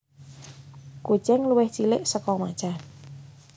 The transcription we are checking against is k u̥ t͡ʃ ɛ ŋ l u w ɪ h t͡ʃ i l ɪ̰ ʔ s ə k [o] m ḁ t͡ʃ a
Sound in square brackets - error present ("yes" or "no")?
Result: yes